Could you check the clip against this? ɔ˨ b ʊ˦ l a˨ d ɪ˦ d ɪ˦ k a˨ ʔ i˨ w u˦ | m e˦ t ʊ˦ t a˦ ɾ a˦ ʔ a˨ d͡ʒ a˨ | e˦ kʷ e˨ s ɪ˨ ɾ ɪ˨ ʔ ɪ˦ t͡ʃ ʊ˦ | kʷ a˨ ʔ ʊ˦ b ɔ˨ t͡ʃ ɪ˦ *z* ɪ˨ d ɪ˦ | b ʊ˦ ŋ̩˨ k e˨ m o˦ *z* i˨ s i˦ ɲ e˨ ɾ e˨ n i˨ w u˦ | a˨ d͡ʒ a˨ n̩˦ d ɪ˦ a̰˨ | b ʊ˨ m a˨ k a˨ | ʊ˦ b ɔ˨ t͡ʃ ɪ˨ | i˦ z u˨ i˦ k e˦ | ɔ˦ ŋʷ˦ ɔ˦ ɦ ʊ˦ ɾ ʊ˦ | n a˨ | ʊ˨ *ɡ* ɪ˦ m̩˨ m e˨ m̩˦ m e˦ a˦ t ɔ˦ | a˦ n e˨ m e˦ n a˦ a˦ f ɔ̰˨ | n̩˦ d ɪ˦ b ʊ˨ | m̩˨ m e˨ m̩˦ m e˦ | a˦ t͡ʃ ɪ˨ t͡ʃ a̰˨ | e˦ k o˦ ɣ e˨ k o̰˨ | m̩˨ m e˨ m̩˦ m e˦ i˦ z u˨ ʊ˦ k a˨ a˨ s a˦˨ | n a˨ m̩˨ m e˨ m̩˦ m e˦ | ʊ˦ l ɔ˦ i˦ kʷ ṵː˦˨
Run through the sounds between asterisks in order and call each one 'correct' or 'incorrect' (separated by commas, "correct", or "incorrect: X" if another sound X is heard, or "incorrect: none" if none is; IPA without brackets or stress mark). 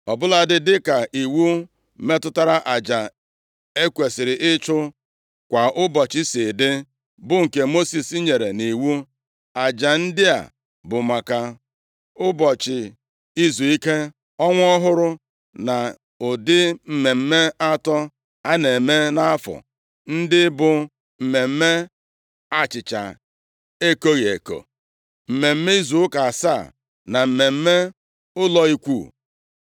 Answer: incorrect: s, incorrect: s, incorrect: d